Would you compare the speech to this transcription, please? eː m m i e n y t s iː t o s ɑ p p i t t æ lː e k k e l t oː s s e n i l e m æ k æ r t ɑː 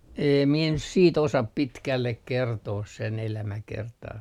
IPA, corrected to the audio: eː m m i e n y t s iː t o s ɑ p p i t k æ lː e k k e r t oː s s e n e l æ m æ k e r t ɑː